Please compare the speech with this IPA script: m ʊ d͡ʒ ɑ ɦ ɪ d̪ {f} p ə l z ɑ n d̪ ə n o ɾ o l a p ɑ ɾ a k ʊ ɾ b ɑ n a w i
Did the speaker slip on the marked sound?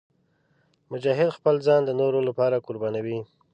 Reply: yes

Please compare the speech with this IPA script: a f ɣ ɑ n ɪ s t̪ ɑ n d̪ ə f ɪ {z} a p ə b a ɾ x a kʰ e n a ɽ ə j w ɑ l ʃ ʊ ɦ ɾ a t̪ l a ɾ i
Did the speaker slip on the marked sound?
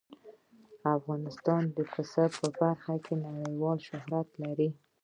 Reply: yes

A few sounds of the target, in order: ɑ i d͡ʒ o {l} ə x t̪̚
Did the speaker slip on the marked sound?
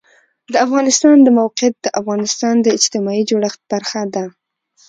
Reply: yes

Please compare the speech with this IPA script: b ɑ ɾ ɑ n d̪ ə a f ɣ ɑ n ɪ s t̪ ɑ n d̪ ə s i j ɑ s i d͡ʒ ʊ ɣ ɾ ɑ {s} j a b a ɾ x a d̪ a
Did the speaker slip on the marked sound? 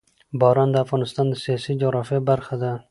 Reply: yes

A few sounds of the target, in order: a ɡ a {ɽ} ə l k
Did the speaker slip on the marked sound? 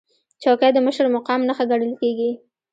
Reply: no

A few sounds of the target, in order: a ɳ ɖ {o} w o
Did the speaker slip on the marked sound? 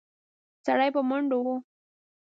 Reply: no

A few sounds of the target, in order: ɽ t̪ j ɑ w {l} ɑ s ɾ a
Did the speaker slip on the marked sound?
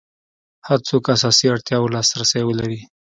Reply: no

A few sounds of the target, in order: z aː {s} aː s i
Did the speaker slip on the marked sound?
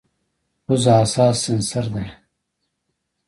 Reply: no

